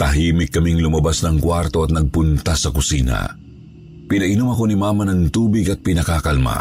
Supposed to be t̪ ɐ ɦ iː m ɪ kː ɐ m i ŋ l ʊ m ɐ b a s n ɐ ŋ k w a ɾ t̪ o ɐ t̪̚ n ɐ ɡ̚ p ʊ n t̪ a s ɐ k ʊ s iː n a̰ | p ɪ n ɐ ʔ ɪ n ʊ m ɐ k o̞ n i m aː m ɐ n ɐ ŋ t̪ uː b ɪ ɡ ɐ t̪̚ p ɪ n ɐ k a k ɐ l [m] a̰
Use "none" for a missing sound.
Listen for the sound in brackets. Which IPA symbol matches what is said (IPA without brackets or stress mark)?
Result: m